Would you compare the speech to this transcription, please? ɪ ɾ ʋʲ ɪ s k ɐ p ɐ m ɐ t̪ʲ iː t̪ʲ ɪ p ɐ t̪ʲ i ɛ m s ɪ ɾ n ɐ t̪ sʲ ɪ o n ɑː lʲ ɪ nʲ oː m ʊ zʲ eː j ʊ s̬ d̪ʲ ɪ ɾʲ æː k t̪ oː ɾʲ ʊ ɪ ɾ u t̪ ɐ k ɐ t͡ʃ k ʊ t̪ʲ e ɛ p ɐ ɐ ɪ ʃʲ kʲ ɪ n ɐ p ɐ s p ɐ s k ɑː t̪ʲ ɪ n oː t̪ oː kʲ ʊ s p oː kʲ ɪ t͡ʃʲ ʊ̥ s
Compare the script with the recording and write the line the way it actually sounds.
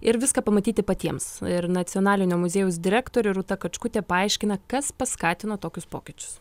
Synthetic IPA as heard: ɪ ɾ ʋʲ ɪ s k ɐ p ɐ m ɐ t̪ʲ iː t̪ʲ ɪ p ɐ t̪ʲ i ɛ m s ɪ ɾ n ɐ t̪ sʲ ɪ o n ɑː lʲ ɪ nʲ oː m ʊ zʲ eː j ʊ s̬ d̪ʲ ɪ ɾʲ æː k t̪ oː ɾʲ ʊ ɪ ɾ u t̪ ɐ k ɐ t͡ʃ k ʊ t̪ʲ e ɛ p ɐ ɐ ɪ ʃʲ kʲ ɪ n ɐ k ɐ s p ɐ s k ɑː t̪ʲ ɪ n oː t̪ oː kʲ ʊ s p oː kʲ ɪ t͡ʃʲ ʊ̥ s